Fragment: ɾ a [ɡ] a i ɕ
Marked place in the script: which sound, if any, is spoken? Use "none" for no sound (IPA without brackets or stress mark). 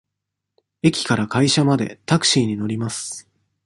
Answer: k